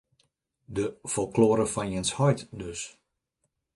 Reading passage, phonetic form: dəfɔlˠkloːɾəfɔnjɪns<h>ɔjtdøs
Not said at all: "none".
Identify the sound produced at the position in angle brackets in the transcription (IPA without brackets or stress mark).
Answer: h